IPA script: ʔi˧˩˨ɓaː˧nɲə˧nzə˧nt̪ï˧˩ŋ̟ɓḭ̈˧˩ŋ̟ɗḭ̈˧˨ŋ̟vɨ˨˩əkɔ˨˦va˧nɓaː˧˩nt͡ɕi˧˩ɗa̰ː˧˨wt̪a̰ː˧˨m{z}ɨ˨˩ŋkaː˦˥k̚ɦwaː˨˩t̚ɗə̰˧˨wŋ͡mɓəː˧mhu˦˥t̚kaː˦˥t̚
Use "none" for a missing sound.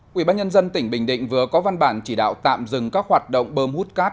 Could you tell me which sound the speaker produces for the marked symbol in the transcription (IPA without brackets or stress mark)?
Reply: z